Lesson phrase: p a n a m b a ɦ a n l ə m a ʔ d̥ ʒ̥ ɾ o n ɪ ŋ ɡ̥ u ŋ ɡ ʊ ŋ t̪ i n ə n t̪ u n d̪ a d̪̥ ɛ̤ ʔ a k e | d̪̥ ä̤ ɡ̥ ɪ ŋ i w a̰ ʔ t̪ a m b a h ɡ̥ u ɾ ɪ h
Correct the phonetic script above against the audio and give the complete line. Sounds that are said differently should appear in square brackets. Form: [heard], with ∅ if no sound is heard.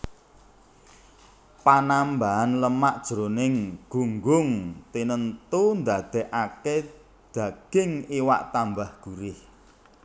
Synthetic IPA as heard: p a n a m b a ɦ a n l ə m a ʔ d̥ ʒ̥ ɾ o n ɪ ŋ ɡ̥ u ŋ ɡ ʊ ŋ t̪ i n ə n t̪ u n d̪ a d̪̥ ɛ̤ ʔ a k e | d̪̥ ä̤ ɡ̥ ɪ ŋ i w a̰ ʔ t̪ a m b a h ɡ̥ u ɾ ɪ h